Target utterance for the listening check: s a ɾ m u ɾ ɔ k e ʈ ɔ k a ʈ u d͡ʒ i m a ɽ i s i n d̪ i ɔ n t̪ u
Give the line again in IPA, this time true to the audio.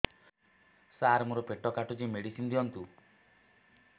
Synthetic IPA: s a ɾ m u ɾ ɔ p e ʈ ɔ k a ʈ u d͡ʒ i m e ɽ i s i n d̪ i ɔ n t̪ u